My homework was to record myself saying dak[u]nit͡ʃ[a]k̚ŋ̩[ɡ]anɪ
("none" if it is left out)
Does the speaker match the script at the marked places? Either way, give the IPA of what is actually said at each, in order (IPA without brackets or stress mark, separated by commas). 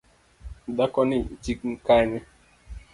ɔ, i, k